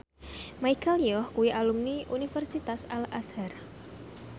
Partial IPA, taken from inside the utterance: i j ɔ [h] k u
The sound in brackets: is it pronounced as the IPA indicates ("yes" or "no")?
yes